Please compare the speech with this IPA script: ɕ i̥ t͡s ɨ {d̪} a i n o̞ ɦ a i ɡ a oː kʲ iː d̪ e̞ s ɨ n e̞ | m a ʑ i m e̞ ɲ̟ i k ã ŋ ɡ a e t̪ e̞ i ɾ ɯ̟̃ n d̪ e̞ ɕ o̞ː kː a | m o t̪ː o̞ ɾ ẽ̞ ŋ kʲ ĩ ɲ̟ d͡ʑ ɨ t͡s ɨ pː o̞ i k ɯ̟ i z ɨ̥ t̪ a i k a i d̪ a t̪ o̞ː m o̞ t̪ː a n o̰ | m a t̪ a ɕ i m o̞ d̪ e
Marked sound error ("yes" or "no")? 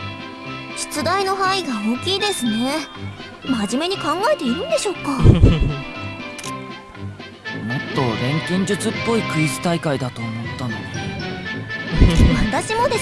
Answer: no